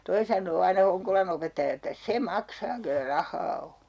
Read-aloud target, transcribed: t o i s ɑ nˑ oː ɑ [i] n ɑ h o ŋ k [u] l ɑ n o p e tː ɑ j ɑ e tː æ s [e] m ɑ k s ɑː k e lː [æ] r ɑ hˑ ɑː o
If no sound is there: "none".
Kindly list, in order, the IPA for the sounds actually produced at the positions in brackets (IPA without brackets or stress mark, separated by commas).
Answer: i, o, e, æ